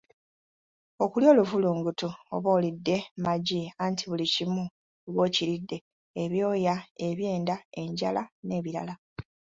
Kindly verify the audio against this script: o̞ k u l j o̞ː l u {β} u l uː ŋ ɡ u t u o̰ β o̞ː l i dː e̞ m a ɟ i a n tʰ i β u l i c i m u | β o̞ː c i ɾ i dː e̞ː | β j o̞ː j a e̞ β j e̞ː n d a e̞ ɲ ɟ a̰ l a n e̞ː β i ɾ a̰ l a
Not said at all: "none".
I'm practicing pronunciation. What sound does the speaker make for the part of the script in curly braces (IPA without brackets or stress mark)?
v